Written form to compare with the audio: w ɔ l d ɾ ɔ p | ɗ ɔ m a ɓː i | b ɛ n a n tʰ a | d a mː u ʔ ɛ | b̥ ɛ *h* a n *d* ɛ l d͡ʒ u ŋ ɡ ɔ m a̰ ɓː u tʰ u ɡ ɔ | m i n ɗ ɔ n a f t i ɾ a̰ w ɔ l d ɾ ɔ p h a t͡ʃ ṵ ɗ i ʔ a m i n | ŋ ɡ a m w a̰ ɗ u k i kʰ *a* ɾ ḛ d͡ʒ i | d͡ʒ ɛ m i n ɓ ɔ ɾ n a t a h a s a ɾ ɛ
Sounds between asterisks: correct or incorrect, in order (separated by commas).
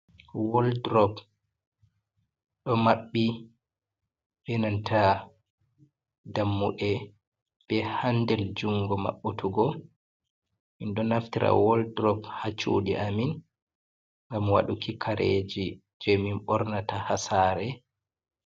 correct, correct, correct